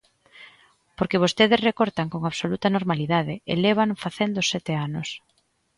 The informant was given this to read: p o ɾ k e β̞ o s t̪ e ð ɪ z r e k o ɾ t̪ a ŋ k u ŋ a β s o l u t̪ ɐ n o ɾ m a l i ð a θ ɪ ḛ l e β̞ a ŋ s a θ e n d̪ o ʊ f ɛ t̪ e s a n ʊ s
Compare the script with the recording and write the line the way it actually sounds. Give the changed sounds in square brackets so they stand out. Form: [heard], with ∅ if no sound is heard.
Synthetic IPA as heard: p o ɾ k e β̞ o s t̪ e ð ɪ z r e k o ɾ t̪ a ŋ k [o] ŋ a β s o l u t̪ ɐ n o ɾ m a l i ð a [ð] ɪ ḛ l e β̞ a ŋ [f] a θ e n d̪ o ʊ [s] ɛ t̪ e [∅] a n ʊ s

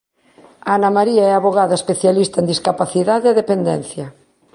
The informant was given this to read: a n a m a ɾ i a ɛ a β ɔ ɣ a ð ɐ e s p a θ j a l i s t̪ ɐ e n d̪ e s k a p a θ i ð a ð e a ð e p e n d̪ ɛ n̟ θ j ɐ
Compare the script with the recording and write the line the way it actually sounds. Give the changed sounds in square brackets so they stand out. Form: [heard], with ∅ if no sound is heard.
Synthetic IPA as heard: a n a m a ɾ i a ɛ a β [o] ɣ a ð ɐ e s p [e] θ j a l i s t̪ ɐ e n d̪ [i] s k a p a θ i ð a ð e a ð e p e n d̪ ɛ n̟ θ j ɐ

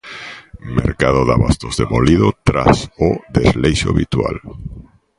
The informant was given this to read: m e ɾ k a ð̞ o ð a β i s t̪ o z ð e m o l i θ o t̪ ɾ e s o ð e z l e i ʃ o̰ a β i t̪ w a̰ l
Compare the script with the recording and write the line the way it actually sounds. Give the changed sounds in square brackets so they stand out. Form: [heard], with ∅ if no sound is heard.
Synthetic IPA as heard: m e ɾ k a ð̞ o ð a β [a] s t̪ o z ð e m o l i [ð] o t̪ ɾ [a] s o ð e z l e [j] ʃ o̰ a β i t̪ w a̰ l

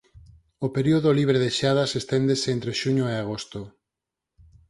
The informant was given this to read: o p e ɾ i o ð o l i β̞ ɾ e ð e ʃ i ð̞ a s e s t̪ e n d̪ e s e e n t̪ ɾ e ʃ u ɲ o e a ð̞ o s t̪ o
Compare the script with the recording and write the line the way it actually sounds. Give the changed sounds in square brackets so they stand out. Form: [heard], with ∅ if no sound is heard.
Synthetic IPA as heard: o p e ɾ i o ð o l i β̞ ɾ e ð e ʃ [a] ð̞ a s e s t̪ e n d̪ e s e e n t̪ ɾ e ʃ u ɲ o e a [ɣ̞] o s t̪ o

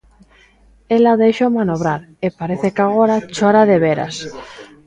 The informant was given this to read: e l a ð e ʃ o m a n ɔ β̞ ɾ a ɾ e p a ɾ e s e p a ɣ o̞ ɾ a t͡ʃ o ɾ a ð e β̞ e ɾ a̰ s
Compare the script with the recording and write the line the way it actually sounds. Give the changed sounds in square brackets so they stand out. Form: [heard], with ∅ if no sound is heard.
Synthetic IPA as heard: e l a ð e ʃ o m a n [o] β̞ ɾ a ɾ e p a ɾ e [θ] e [k] a ɣ o̞ ɾ a t͡ʃ o ɾ a ð e β̞ e ɾ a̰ s

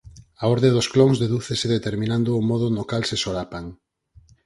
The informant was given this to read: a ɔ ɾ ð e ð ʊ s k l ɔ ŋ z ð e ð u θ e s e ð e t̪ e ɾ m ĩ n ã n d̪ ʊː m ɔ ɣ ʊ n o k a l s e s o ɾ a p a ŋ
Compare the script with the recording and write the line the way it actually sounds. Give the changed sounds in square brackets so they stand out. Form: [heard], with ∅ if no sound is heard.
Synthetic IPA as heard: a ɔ ɾ ð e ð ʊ s k l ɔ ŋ z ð e ð u θ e s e ð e t̪ e ɾ m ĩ n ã n d̪ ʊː m ɔ [ð] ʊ n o k a l s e s o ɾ a p a ŋ

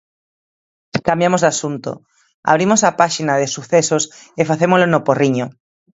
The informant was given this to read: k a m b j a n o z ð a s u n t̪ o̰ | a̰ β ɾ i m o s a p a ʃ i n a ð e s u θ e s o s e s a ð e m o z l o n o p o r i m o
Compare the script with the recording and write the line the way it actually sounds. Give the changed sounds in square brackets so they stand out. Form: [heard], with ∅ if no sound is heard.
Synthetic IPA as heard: k a m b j a [m] o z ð a s u n t̪ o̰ | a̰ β ɾ i m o s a p a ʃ i n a ð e s u θ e s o s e [f] a [θ] e m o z l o n o p o r i [ɲ] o

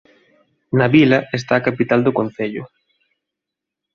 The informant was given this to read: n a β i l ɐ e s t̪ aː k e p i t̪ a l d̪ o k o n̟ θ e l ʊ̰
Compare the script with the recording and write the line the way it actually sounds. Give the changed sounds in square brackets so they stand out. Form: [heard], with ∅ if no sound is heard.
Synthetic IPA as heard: n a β i l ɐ e s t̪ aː k [a] p i t̪ a l d̪ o k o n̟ θ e [ʎ] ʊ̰

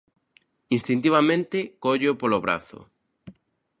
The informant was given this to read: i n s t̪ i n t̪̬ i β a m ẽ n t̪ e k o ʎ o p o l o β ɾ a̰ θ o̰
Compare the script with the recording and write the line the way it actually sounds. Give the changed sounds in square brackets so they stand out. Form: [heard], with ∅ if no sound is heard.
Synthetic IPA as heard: i n s t̪ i n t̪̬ i β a m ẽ n t̪ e k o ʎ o p o l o β ɾ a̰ θ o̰

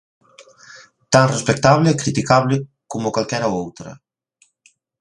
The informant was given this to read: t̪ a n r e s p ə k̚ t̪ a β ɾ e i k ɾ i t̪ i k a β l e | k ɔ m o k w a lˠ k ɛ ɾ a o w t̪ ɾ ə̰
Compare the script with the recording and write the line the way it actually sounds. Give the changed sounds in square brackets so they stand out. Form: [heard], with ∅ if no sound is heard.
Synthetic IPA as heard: t̪ a n r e s p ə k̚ t̪ a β [l] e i k ɾ i t̪ i k a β l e | k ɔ m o k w a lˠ k ɛ ɾ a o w t̪ ɾ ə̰

